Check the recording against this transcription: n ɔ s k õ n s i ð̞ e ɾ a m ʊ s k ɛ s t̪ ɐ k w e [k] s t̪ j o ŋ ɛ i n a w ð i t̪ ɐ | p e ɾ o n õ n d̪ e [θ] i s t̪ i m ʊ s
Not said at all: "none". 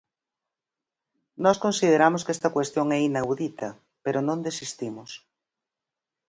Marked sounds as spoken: none, s

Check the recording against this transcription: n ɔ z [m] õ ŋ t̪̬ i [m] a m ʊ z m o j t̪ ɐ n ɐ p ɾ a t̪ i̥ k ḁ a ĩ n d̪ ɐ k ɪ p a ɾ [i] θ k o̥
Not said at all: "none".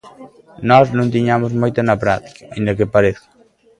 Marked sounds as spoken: n, ɲ, e

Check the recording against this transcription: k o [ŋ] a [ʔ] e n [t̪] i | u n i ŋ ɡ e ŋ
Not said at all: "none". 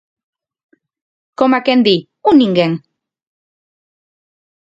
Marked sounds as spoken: m, k, d̪

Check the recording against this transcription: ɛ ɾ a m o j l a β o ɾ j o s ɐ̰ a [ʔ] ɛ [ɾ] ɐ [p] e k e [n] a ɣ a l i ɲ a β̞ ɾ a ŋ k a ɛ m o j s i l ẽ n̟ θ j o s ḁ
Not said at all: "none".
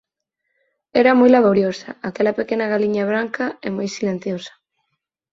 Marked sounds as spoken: k, l, p, n

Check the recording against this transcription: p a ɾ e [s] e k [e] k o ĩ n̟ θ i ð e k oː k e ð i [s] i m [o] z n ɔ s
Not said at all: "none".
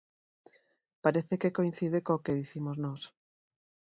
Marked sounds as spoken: θ, e, θ, o

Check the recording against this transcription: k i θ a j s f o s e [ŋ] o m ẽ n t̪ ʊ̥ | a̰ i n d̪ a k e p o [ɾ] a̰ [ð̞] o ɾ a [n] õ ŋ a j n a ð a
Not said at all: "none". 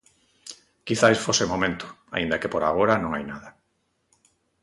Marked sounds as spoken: m, ɾ, ɣ̞, n

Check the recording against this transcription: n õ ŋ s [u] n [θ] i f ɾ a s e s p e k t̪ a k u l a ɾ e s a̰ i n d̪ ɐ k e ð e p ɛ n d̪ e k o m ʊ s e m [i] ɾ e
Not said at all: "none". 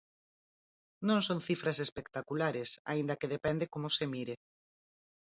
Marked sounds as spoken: o, θ, i

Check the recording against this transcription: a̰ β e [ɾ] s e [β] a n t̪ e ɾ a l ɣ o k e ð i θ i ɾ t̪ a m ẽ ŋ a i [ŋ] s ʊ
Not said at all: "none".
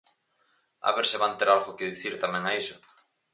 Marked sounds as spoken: ɾ, β, none

